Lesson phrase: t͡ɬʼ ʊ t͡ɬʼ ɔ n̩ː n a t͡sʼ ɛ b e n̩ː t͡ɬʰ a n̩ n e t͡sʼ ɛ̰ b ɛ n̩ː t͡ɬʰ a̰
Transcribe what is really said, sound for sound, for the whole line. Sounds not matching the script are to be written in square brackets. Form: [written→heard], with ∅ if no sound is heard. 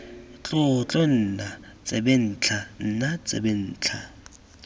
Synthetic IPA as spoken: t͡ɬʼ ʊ t͡ɬʼ ɔ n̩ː n a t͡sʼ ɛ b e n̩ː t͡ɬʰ a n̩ n [e→a] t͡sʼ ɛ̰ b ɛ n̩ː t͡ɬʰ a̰